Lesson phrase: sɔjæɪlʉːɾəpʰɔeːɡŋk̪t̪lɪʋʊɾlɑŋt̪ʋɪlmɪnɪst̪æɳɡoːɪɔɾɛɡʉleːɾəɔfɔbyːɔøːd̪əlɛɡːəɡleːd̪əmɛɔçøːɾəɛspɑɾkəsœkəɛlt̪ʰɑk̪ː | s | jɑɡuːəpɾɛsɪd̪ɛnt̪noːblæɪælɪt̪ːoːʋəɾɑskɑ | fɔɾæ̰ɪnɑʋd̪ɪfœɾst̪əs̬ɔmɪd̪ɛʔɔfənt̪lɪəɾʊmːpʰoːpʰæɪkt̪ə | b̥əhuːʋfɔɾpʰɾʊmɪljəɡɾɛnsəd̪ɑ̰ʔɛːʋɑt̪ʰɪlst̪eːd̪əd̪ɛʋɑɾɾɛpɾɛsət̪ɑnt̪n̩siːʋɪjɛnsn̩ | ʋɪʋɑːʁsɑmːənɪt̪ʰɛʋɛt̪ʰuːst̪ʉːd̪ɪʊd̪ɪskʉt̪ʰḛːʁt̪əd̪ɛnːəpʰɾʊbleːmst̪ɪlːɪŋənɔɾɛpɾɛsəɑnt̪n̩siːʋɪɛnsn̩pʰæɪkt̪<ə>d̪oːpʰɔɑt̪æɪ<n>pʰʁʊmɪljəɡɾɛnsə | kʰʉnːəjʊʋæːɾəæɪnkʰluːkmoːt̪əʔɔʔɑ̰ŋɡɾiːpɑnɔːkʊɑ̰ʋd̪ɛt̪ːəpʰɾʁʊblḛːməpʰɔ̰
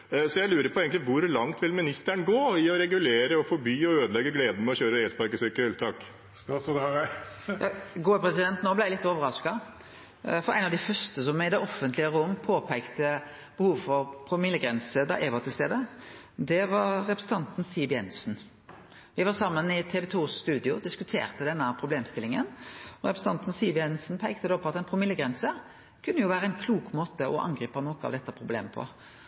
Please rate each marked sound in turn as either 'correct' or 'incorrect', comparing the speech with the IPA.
correct, correct

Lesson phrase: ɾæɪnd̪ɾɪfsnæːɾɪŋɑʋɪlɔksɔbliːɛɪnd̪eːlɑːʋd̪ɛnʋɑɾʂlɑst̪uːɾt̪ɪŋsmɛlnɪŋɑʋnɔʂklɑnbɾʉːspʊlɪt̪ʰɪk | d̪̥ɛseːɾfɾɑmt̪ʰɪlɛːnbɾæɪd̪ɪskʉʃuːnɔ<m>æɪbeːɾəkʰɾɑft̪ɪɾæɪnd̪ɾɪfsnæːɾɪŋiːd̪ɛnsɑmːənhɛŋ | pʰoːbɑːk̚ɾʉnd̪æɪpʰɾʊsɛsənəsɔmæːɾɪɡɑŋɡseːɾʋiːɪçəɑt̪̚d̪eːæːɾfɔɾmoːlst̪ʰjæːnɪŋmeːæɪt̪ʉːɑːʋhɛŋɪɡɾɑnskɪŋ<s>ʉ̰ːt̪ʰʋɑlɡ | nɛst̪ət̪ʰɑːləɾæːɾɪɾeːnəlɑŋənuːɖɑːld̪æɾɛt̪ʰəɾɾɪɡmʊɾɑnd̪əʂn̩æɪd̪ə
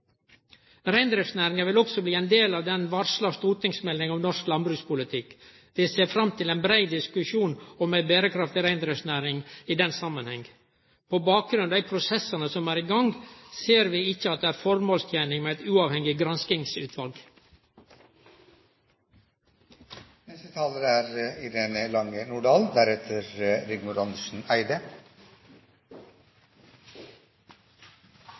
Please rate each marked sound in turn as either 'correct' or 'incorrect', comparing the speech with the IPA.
correct, correct

